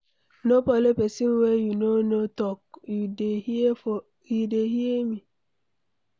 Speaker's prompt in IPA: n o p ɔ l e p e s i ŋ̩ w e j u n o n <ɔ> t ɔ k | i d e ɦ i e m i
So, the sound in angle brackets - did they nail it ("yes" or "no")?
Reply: no